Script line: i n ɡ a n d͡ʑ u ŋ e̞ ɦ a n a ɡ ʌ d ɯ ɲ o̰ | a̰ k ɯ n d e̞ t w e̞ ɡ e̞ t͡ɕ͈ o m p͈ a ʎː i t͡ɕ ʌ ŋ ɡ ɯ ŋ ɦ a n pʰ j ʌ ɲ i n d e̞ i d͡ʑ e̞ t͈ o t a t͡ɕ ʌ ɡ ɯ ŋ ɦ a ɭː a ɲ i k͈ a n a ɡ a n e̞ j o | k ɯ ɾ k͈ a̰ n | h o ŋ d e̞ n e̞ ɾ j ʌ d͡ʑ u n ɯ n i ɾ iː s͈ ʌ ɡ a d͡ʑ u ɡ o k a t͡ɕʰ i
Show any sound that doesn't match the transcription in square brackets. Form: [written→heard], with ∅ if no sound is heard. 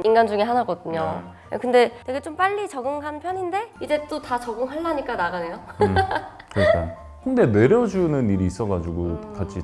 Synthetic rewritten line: i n ɡ a n d͡ʑ u ŋ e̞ ɦ a n a ɡ ʌ d ɯ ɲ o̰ | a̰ k ɯ n d e̞ t w e̞ ɡ e̞ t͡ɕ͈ o m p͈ a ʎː i t͡ɕ ʌ [ŋ→∅] ɡ ɯ ŋ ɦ a n pʰ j ʌ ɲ i n d e̞ i d͡ʑ e̞ t͈ o t a t͡ɕ ʌ ɡ ɯ ŋ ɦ a ɭː a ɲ i k͈ a n a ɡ a n e̞ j o | k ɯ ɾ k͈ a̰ n | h o ŋ d e̞ n e̞ ɾ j ʌ d͡ʑ u n ɯ n i ɾ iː s͈ ʌ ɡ a d͡ʑ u ɡ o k a t͡ɕʰ i